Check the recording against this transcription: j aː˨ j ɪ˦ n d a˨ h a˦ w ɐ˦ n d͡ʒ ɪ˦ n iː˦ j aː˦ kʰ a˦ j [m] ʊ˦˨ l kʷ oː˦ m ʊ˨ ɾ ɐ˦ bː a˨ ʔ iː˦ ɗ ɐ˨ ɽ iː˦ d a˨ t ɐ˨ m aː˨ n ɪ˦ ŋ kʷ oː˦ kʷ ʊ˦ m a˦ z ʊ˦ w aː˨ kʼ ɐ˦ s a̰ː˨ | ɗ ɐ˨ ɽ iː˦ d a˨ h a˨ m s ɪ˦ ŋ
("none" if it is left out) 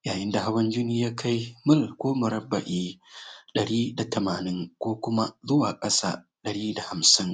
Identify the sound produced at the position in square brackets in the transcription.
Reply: m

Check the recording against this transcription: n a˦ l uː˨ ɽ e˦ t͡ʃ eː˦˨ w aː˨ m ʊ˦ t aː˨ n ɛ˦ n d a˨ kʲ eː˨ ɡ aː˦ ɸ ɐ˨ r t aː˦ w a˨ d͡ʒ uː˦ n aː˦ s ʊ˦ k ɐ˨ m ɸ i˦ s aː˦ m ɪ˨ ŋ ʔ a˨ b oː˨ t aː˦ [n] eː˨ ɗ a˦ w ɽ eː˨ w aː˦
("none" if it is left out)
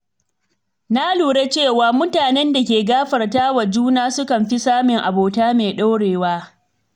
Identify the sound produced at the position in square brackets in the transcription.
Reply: m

